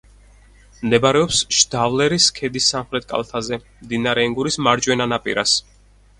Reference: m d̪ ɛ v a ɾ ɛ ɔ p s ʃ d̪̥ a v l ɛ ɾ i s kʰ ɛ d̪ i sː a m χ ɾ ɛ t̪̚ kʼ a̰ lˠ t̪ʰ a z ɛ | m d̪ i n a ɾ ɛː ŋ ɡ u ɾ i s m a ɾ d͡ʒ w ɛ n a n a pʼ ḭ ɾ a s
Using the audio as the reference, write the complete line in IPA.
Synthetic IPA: m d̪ ɛ b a ɾ ɛ ɔ p s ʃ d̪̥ a v l ɛ ɾ i s kʰ ɛ d̪ i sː a m χ ɾ ɛ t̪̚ kʼ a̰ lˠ t̪ʰ a z ɛ | m d̪ i n a ɾ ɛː ŋ ɡ u ɾ i s m a ɾ d͡ʒ w ɛ n a n a pʼ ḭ ɾ a s